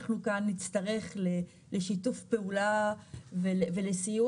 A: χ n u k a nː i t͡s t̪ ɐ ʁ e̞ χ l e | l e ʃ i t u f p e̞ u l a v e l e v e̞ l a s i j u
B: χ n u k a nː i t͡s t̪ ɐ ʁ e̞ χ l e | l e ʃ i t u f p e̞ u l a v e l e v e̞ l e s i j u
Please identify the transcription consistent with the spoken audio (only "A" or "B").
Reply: B